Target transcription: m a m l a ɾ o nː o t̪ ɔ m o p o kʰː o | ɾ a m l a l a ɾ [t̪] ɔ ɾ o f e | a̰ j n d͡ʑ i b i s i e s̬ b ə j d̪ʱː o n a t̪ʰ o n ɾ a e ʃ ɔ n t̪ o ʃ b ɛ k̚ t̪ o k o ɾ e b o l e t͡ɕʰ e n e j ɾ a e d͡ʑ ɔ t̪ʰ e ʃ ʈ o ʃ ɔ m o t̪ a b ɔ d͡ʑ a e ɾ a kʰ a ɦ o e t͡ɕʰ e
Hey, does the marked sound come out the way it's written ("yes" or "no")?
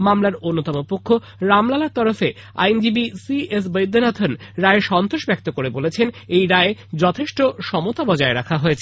yes